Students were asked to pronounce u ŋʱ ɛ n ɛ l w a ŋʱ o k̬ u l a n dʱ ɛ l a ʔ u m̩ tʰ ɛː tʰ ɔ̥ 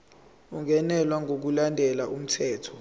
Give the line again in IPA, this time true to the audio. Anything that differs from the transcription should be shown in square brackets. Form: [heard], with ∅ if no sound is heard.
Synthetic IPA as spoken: u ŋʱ ɛ n ɛ l w a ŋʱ o k̬ u l a n dʱ ɛ l a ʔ u m̩ tʰ ɛː tʰ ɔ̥